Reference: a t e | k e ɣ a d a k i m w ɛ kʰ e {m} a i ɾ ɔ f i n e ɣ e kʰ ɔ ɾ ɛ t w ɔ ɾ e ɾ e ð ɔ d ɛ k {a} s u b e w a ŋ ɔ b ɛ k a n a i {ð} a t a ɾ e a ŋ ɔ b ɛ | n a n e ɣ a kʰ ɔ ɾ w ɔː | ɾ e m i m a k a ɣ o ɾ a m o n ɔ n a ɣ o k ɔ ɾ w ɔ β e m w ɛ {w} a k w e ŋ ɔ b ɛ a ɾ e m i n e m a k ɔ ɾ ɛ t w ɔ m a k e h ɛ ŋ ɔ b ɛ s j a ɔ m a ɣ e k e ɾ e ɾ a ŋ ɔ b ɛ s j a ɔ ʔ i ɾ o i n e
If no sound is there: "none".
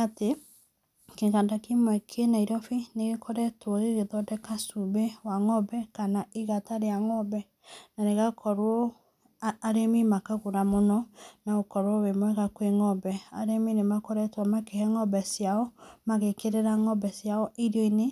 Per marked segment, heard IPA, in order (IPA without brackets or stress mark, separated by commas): n, a, ɣ, ɣ